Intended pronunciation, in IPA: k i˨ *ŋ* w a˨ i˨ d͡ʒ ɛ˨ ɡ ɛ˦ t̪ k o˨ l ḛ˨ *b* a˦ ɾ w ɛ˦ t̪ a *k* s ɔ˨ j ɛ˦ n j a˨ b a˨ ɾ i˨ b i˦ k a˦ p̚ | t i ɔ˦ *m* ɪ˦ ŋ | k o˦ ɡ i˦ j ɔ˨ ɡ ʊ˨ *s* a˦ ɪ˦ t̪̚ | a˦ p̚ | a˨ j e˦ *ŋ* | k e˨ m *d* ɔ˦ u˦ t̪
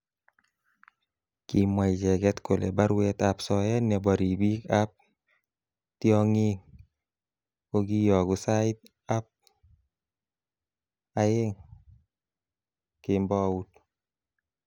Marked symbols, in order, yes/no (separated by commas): no, yes, no, no, yes, yes, no